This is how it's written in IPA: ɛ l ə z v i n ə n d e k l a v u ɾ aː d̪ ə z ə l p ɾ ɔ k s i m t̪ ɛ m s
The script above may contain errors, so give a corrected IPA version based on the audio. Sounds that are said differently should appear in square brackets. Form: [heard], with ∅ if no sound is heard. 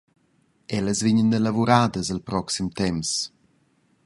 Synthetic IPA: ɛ l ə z v i [ɲ] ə n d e [∅] l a v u ɾ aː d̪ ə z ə l p ɾ ɔ k s i m t̪ ɛ m s